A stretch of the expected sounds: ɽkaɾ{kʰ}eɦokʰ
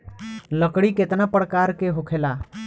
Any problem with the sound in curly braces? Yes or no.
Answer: yes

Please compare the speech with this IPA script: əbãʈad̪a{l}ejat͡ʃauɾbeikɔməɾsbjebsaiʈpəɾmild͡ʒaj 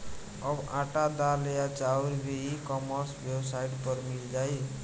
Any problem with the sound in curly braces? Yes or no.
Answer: no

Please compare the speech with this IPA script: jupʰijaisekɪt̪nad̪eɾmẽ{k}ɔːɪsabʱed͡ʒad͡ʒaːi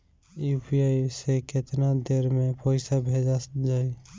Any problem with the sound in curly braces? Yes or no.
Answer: yes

